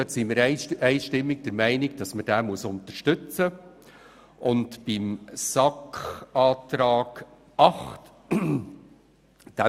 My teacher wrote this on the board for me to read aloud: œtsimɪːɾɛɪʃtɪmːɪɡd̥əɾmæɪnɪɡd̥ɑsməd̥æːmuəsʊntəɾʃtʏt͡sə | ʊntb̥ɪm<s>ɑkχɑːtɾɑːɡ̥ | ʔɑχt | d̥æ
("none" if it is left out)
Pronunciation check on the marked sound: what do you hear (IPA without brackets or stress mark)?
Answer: s